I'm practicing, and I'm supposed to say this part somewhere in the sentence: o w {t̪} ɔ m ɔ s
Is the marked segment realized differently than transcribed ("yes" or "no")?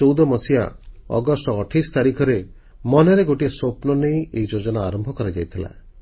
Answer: yes